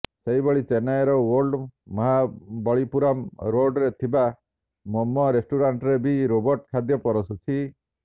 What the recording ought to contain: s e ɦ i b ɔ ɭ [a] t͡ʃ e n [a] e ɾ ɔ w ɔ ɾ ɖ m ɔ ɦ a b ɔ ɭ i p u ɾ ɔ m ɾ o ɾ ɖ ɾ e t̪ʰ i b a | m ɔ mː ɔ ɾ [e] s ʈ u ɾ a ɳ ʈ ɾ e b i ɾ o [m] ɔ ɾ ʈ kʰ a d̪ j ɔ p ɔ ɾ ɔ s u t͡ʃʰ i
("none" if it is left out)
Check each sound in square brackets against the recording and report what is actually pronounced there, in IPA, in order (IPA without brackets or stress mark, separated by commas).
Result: i, a, e, b